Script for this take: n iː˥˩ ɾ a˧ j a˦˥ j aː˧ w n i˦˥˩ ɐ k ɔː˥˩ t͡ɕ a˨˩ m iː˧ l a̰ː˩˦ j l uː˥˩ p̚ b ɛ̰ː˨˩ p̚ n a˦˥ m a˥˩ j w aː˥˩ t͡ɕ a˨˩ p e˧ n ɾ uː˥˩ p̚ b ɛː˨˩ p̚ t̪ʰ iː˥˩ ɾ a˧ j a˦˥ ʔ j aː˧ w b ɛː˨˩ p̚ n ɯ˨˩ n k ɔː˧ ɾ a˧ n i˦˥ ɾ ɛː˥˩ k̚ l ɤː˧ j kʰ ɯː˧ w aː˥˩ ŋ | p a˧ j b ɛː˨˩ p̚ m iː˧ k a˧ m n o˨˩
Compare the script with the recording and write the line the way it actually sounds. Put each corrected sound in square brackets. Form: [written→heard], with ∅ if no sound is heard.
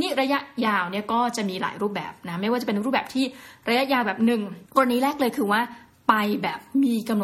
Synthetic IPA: n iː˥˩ ɾ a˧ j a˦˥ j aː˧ w n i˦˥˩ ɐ k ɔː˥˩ t͡ɕ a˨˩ m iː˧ l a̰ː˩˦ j [l→ɾ] uː˥˩ p̚ b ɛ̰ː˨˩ p̚ n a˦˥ m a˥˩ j w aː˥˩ t͡ɕ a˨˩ p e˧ n ɾ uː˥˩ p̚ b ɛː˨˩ p̚ t̪ʰ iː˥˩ ɾ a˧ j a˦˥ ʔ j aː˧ w b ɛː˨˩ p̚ n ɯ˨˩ [n→ŋ] k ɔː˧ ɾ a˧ n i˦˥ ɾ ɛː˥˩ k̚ l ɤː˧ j kʰ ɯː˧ w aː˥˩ [ŋ→∅] | p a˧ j b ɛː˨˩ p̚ m iː˧ k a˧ m n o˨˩